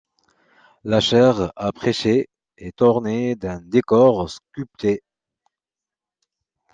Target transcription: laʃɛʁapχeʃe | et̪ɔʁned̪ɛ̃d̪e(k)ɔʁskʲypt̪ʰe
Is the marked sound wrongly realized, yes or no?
no